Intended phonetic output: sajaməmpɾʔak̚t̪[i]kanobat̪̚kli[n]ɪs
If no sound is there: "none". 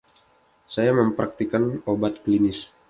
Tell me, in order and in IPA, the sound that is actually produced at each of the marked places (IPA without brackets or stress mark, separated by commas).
i, n